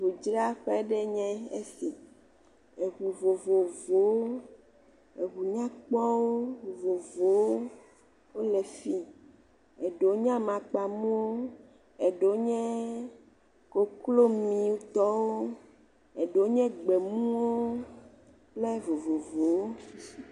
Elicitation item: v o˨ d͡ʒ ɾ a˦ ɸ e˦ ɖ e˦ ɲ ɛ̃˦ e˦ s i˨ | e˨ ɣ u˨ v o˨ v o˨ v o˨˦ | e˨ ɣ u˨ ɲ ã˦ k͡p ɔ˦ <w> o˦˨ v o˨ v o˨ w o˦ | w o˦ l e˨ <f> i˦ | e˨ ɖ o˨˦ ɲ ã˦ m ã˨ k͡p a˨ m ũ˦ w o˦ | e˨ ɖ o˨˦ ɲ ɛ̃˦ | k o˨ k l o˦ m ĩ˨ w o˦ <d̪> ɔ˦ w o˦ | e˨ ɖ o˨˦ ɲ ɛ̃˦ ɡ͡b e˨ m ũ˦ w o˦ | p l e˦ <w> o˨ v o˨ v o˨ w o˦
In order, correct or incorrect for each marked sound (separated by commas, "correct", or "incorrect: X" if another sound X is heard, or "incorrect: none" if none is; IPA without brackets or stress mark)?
correct, correct, incorrect: t̪, incorrect: v